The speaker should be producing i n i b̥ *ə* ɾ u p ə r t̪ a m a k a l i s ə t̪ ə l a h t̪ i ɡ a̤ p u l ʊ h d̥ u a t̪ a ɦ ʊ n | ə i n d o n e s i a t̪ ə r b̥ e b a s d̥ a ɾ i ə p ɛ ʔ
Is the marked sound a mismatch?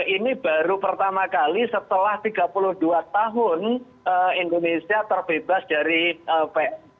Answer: yes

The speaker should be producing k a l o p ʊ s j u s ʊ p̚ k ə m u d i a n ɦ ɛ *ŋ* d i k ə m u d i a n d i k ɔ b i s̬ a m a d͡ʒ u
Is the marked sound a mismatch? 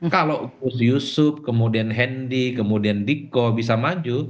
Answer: yes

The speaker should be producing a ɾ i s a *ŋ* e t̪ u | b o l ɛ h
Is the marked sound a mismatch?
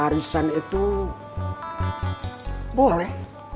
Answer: yes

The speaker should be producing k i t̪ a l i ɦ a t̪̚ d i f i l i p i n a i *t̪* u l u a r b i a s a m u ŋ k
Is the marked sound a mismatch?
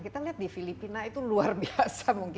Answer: no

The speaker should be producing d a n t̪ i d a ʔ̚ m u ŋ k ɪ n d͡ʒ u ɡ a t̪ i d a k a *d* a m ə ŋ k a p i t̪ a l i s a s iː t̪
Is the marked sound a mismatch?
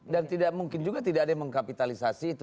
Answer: no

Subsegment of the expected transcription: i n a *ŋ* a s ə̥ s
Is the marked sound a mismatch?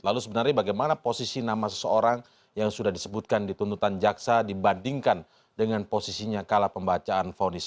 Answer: yes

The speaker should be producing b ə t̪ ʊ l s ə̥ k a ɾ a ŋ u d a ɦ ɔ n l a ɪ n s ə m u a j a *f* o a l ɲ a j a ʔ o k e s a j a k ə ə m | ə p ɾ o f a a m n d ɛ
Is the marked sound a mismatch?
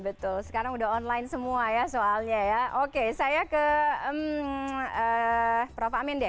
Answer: yes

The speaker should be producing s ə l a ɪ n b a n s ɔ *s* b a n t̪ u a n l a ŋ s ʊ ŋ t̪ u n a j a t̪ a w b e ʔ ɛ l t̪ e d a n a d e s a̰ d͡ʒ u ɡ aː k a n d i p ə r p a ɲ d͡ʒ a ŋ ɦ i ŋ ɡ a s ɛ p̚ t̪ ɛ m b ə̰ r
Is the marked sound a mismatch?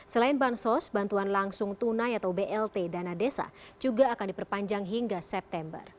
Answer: no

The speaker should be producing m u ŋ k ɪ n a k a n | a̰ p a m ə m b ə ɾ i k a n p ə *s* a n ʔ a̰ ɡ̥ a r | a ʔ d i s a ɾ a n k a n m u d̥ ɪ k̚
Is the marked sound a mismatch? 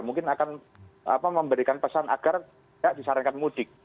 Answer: no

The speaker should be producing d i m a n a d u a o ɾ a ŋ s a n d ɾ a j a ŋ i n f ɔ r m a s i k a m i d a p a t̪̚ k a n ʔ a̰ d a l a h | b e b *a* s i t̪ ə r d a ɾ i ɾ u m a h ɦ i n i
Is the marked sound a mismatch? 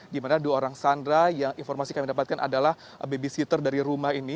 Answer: yes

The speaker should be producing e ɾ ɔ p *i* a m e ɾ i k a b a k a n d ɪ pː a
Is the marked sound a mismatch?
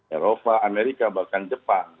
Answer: yes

